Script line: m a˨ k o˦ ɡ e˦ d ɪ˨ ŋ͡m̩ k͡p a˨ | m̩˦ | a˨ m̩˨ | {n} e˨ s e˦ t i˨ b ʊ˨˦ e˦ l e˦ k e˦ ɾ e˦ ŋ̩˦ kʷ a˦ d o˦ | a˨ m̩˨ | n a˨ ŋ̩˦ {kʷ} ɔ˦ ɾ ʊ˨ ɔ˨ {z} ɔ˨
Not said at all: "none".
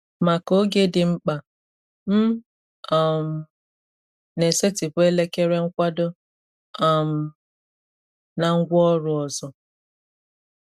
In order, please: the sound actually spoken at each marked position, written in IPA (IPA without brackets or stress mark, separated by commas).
n, ɡʷ, z